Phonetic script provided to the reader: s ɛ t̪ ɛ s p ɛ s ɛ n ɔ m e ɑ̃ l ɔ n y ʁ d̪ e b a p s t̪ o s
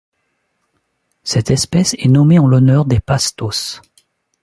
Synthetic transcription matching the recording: s ɛ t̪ ɛ s p ɛ s ɛ n ɔ m e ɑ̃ l ɔ n œ ʁ d̪ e p a s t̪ o s